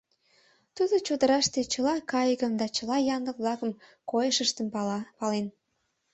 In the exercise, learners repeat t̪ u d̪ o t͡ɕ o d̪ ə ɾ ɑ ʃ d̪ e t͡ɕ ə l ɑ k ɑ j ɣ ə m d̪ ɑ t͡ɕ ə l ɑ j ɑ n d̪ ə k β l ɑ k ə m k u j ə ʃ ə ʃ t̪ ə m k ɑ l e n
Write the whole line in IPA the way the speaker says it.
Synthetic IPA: t̪ u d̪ o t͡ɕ o d̪ ə ɾ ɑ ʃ t̪ e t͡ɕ ə l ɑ k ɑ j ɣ ə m d̪ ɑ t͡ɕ ə l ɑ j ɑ n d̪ ə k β l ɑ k ə m k o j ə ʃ ə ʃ t̪ ə m p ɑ l e n